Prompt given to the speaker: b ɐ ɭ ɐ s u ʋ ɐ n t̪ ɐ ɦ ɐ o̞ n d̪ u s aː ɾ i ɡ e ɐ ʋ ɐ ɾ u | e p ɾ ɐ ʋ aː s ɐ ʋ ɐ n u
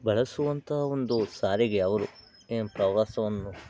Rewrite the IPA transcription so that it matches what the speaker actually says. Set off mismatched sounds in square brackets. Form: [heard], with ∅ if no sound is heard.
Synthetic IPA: b ɐ ɭ ɐ s u ʋ ɐ n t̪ ɐ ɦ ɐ o̞ n d̪ u s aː ɾ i ɡ e ɐ ʋ ɐ ɾ u | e p ɾ ɐ ʋ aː s ɐ ʋ ɐ [nː] u